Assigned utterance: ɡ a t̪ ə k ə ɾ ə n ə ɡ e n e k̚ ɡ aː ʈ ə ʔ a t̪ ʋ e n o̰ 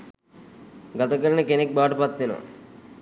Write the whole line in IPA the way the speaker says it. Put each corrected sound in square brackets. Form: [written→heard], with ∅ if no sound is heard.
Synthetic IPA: ɡ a t̪ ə k ə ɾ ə n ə [ɡ→k] e n e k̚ [ɡ→b] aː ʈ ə [ʔ→p] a t̪ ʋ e n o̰